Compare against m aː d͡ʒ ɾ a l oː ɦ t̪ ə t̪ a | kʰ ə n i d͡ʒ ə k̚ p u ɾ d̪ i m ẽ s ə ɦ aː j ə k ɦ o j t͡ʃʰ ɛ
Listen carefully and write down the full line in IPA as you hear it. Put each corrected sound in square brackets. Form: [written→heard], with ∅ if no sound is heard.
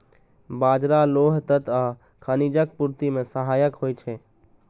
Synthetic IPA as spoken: [m→b] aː d͡ʒ ɾ a l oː ɦ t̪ ə t̪ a | kʰ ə n i d͡ʒ ə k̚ p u ɾ [d̪→t̪] i m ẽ s ə ɦ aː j ə k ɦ o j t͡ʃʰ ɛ